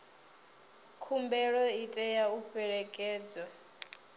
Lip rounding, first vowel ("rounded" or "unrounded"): rounded